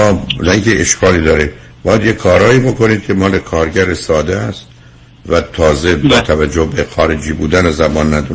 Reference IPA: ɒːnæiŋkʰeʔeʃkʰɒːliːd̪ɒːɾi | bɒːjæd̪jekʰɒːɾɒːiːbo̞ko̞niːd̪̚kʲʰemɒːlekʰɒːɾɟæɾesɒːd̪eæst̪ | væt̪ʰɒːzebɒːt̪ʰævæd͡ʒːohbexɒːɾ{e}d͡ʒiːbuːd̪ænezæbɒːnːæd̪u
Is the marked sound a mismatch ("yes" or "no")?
no